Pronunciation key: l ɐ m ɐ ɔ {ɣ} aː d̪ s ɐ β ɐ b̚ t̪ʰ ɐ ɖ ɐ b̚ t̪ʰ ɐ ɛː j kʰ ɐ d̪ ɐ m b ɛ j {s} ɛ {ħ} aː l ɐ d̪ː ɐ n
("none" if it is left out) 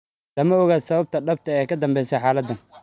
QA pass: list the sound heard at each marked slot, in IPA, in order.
ɣ, s, ħ

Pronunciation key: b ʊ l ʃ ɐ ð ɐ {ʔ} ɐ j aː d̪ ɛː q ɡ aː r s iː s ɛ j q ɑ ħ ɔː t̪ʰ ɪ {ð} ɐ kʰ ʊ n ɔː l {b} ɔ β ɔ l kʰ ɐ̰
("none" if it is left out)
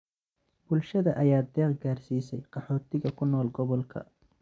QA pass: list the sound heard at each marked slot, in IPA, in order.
ʔ, ɣ, ɡ

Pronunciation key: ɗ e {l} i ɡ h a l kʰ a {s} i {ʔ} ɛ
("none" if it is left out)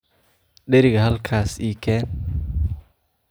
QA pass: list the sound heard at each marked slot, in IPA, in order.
ɾ, s, k

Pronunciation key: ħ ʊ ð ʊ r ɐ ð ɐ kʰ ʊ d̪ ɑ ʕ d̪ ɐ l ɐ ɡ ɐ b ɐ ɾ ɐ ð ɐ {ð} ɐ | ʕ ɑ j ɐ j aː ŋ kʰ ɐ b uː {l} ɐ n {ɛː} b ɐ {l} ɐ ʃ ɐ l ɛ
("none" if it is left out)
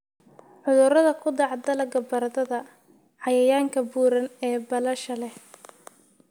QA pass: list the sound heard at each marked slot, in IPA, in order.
ð, ɾ, ɛː, l

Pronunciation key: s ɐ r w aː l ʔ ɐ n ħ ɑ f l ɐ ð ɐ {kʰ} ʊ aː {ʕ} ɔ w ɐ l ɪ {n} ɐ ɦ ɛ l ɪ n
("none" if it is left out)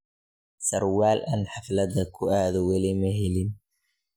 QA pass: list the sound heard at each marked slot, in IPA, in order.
kʰ, ð, m

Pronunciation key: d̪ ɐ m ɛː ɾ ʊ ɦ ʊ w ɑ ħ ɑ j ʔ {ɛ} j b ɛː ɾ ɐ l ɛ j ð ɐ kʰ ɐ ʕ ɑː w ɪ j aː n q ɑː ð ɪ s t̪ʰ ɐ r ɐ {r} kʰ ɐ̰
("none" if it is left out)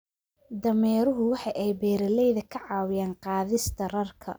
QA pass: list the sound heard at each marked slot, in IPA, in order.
ɛ, r

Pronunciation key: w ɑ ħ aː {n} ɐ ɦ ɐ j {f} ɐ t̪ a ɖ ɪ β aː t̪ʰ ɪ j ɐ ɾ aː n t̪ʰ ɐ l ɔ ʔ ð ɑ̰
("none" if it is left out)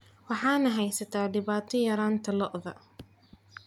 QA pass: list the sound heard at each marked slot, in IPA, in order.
n, s

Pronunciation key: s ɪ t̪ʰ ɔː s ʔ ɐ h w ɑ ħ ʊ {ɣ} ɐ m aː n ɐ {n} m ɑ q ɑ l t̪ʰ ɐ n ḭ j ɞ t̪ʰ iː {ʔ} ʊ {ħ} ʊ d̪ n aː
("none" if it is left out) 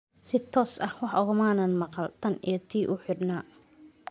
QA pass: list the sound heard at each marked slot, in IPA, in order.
ɣ, n, ʔ, ħ

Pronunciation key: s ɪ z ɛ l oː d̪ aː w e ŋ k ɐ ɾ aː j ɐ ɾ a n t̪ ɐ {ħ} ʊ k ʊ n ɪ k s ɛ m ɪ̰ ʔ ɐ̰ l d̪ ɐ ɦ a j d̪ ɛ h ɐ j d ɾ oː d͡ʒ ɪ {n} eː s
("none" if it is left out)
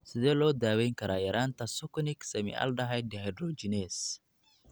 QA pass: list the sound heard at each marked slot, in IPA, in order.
s, n

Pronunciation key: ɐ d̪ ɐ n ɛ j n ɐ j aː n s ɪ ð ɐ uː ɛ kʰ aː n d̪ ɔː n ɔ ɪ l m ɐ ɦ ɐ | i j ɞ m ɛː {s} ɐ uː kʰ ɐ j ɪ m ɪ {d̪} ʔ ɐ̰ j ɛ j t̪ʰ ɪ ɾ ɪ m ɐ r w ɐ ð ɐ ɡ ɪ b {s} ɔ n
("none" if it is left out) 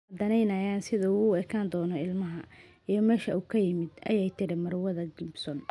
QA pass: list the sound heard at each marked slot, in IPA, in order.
ʃ, d̪, s

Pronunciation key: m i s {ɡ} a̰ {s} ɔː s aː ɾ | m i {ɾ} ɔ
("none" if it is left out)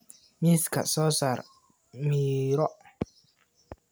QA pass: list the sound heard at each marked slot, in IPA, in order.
k, s, ɾ

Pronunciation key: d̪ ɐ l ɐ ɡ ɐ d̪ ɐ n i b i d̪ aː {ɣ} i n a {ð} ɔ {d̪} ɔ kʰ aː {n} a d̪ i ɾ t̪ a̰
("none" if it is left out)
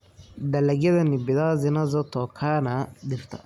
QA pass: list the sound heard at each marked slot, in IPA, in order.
z, z, t̪, n

